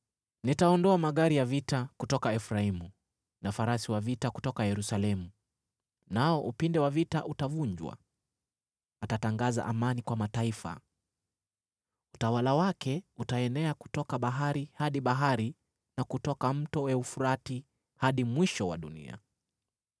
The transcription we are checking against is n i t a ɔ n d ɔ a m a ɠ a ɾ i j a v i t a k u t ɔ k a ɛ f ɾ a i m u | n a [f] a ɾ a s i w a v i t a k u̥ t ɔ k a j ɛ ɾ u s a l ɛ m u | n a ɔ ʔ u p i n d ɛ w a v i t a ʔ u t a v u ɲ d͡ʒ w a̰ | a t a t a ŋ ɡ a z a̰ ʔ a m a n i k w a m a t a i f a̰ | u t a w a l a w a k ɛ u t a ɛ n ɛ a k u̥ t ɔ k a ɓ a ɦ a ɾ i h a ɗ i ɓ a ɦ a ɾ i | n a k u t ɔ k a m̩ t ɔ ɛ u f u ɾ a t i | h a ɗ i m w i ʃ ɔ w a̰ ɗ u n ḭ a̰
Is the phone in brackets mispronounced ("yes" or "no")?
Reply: no